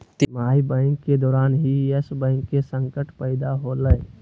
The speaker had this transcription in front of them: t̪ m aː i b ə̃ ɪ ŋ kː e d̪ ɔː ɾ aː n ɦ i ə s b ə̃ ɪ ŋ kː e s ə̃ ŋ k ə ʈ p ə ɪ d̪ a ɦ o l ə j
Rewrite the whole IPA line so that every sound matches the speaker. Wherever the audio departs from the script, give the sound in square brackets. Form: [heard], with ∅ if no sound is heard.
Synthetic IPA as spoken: t̪ m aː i b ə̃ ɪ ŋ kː e d̪ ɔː ɾ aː n ɦ i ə s b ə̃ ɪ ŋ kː e s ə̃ ŋ k ə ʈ p ə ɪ d̪ a ɦ o l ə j